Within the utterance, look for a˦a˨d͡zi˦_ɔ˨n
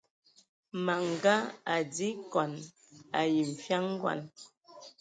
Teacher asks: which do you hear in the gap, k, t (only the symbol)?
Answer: k